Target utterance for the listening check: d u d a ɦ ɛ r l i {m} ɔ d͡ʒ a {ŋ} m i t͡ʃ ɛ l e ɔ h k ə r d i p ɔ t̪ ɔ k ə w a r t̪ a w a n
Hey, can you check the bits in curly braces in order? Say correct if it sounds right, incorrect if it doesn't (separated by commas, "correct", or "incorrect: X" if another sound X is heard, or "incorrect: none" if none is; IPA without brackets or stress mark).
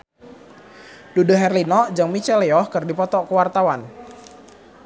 incorrect: n, correct